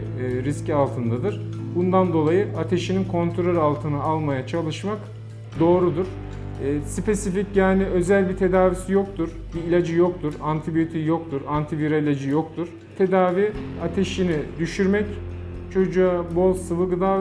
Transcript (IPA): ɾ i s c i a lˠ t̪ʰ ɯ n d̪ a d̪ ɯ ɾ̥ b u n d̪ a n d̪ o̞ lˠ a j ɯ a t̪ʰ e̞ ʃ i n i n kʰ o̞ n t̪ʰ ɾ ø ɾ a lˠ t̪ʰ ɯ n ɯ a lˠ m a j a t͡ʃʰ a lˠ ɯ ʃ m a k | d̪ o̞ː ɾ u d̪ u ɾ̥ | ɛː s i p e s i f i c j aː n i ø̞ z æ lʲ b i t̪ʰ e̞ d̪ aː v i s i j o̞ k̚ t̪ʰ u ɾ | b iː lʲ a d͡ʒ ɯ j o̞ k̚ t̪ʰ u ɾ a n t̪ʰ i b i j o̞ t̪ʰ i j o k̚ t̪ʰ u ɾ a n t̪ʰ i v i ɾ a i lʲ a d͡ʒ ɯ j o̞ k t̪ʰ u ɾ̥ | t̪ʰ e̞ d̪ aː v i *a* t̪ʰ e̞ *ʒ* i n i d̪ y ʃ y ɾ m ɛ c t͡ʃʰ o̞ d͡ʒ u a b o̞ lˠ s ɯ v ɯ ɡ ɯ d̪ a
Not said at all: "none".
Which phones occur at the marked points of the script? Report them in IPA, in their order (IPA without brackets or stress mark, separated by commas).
a, ʃ